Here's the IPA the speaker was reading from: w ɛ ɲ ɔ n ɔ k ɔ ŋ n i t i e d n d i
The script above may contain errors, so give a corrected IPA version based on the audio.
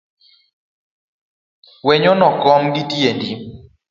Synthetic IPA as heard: w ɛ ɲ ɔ n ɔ k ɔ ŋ d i t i e n d i